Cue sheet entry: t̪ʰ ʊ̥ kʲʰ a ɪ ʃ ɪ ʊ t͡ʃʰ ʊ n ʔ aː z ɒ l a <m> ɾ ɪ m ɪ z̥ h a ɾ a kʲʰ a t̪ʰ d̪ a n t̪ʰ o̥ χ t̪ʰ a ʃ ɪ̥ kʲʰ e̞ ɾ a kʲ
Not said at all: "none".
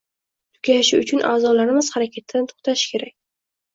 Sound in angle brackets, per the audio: none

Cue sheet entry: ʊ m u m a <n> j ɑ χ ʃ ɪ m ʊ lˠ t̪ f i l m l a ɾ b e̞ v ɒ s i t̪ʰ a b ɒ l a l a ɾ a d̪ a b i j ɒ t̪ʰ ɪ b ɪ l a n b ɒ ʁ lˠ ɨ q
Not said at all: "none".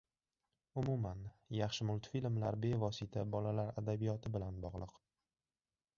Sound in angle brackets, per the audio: n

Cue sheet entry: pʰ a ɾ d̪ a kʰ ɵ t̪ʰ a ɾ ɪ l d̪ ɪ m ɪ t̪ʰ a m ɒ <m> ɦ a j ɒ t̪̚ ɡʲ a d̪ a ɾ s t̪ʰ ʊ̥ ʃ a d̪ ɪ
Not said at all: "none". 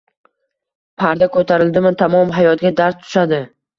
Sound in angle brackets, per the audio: m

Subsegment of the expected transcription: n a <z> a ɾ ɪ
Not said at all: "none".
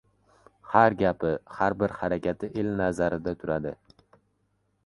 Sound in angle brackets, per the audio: z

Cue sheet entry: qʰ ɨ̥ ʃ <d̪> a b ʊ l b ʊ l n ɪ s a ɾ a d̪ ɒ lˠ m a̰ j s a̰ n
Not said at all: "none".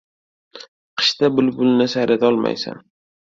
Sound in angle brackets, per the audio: t̪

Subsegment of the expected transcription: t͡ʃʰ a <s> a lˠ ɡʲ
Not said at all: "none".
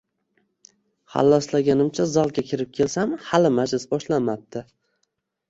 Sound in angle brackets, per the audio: z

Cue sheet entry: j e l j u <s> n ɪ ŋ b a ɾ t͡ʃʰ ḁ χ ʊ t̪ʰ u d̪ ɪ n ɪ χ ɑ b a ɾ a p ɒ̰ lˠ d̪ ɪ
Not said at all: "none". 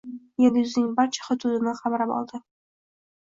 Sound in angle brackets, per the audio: z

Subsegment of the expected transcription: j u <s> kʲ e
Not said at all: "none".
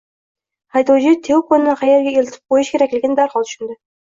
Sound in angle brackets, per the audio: ʃ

